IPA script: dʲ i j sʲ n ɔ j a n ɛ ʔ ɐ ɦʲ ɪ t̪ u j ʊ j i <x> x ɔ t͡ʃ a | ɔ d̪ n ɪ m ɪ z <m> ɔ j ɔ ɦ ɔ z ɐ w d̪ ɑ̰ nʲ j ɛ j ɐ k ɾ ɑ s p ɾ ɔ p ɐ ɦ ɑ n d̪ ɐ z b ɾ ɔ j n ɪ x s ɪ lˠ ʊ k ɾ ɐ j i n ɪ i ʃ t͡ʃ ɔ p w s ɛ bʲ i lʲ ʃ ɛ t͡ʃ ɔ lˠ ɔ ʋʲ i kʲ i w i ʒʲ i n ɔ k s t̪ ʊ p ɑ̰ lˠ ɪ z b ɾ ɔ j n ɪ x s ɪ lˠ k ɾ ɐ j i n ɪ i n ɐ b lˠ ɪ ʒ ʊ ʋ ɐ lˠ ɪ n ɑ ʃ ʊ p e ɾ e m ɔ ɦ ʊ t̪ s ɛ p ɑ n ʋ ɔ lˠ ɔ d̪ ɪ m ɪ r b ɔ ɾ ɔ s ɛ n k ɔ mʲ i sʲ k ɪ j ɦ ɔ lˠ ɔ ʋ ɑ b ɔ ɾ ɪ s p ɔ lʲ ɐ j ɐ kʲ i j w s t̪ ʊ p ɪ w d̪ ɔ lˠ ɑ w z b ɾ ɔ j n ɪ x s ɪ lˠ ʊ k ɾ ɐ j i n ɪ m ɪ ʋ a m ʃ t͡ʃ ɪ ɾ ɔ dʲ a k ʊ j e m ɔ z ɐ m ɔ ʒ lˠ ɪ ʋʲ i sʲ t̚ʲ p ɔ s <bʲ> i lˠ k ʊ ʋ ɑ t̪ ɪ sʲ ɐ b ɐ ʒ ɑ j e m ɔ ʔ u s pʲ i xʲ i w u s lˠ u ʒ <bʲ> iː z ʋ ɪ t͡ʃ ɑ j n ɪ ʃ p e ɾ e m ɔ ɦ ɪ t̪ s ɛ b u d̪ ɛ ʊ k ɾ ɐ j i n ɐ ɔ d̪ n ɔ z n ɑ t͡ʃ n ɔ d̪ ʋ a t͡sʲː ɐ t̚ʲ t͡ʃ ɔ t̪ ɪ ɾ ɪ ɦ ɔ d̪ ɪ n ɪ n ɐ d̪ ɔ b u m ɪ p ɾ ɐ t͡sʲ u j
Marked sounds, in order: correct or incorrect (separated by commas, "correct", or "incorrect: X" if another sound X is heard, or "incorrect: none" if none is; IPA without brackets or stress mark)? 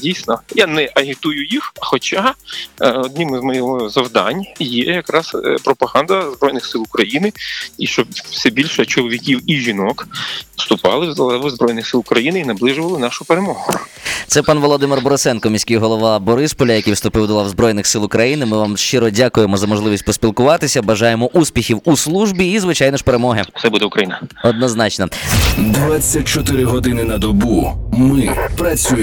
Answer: correct, correct, incorrect: pʲ, correct